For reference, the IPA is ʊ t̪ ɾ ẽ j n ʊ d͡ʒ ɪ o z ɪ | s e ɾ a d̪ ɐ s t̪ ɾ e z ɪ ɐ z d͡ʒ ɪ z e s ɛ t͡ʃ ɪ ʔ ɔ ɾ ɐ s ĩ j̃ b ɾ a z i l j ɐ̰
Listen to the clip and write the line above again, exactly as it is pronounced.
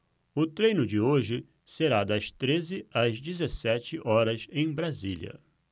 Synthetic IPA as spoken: ʊ t̪ ɾ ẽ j n ʊ d͡ʒ ɪ o ʒ ɪ | s e ɾ a d̪ ɐ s t̪ ɾ e z ɪ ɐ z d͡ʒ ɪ z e s ɛ t͡ʃ ɪ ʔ ɔ ɾ ɐ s ẽ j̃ b ɾ a z i l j ɐ̰